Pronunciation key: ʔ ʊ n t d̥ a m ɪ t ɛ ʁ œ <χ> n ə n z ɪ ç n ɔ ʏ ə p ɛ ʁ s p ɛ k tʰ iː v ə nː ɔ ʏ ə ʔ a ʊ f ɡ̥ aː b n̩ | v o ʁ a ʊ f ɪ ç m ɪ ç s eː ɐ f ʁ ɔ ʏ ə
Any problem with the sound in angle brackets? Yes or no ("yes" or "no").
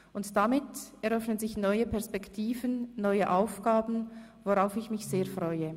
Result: yes